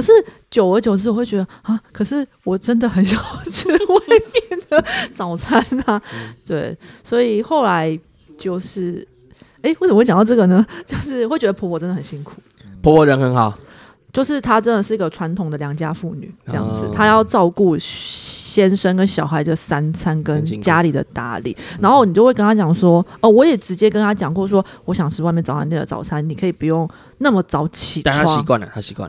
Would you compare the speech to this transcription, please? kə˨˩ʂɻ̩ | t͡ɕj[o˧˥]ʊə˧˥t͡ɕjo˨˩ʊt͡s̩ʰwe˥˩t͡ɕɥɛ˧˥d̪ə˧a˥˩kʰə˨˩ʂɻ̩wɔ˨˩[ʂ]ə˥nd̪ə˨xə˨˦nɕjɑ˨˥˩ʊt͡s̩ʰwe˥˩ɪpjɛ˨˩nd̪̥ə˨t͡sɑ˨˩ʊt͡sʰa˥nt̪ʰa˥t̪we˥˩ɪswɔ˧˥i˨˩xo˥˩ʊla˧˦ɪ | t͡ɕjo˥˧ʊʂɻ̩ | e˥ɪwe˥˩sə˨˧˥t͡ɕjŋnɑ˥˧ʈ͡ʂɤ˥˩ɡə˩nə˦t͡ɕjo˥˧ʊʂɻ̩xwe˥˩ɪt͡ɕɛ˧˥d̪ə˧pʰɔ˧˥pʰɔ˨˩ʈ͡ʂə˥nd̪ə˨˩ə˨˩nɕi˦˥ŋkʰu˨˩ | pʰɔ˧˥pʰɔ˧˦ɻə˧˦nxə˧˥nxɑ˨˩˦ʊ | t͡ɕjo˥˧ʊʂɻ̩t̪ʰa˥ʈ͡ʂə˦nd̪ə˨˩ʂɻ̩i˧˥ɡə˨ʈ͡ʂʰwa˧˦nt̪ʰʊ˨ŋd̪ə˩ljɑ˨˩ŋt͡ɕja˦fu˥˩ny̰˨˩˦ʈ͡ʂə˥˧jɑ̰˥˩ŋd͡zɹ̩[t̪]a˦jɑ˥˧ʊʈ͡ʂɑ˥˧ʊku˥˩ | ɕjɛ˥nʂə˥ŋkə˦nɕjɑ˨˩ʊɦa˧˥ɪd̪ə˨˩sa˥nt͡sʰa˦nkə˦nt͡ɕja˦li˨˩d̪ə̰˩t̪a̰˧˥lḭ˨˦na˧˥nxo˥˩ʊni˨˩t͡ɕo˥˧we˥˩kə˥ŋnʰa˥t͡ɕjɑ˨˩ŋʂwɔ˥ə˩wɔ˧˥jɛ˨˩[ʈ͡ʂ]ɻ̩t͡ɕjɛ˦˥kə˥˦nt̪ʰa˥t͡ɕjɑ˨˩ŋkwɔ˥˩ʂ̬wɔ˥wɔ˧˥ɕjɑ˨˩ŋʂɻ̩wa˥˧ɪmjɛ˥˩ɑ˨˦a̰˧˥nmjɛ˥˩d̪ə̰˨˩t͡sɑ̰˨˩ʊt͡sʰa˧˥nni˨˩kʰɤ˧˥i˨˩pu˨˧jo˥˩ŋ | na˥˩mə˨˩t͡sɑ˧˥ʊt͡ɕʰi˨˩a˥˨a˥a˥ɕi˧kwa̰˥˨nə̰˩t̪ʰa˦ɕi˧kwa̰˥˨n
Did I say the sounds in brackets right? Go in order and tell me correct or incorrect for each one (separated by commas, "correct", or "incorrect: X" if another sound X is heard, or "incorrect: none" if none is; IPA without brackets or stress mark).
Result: incorrect: o˨˩, incorrect: ʈ͡ʂ, incorrect: t̪ʰ, correct